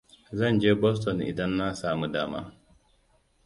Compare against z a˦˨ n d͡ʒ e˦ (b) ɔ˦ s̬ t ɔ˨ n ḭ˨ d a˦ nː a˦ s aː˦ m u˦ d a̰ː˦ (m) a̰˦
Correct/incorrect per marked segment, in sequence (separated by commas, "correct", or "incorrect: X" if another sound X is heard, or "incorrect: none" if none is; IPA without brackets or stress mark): correct, correct